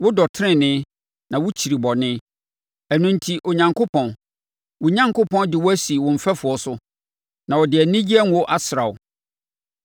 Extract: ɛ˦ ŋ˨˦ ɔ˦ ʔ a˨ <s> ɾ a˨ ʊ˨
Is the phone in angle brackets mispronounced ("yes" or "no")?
no